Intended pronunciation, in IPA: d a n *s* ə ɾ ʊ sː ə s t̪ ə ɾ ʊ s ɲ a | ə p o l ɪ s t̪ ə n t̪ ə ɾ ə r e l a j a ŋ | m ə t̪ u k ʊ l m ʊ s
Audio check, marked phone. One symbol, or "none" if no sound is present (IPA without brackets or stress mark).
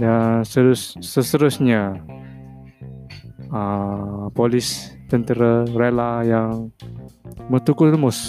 s